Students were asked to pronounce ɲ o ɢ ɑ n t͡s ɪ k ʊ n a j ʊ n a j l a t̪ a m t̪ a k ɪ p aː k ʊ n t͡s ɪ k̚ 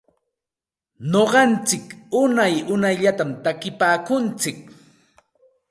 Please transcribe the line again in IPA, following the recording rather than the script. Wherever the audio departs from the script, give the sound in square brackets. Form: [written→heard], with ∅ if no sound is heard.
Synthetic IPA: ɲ o ɢ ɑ n t͡s ɪ k ʊ n a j ʊ n a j [l→ʎ] a t̪ a m t̪ a k ɪ p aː k ʊ n t͡s ɪ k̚